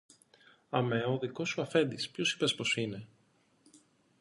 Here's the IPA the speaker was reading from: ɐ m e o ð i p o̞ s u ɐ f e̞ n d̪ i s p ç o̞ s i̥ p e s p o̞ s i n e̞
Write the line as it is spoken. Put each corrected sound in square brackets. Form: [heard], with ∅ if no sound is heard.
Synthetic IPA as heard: ɐ m e o ð i [k] o̞ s u ɐ f e̞ n d̪ i s p ç o̞ s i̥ p e s p o̞ s i n e̞